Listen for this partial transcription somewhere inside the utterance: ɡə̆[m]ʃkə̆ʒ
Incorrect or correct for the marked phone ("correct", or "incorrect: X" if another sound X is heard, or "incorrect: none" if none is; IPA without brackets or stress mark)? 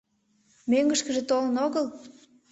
incorrect: none